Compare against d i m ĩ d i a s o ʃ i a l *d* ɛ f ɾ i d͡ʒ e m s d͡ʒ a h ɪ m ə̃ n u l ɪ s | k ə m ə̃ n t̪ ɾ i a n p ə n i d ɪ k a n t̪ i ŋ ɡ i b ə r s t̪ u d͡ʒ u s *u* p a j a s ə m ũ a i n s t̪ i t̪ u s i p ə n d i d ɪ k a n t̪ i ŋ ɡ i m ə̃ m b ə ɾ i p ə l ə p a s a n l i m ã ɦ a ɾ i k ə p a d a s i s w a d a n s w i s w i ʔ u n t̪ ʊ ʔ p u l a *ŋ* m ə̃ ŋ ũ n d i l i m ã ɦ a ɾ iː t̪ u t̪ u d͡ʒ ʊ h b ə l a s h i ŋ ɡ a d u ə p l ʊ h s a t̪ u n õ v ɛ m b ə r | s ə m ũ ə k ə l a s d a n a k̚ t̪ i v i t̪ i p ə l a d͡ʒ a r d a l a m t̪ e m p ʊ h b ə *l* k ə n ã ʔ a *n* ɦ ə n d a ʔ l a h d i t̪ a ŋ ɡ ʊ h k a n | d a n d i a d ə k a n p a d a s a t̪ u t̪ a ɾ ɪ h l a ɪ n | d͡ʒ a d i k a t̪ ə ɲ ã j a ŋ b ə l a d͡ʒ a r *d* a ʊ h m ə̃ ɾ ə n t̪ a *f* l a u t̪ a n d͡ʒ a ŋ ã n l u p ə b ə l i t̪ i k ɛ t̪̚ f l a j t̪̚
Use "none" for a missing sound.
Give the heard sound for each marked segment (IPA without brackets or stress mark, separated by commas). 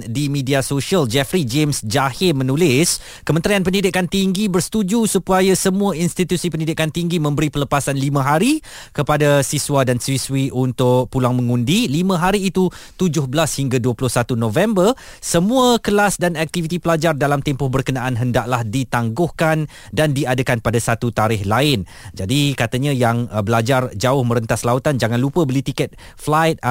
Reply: d͡ʒ, u, ŋ, r, n, d͡ʒ, s